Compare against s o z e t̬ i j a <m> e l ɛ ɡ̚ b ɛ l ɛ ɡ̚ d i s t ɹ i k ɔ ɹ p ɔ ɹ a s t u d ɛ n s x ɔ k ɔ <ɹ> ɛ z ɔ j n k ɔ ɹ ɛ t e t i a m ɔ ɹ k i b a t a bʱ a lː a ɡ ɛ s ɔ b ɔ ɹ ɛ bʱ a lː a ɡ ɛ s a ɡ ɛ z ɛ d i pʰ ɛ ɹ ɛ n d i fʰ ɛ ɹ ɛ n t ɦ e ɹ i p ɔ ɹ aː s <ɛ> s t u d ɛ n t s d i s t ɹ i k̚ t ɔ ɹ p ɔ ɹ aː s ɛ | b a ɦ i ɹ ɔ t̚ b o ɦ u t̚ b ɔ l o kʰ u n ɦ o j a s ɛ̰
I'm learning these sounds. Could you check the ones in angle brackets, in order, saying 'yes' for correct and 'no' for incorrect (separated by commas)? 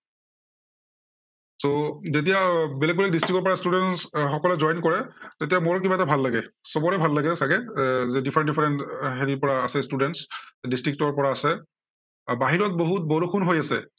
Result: no, no, yes